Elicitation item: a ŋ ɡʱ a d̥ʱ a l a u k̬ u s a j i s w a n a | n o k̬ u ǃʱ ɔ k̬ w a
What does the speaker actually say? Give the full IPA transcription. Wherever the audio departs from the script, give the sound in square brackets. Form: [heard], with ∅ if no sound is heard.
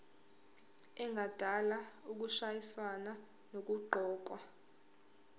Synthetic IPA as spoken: [ɛ] ŋ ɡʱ a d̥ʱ a l a u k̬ u [ʃ] a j i s w a n a | n o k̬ u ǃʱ [ɔː] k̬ w a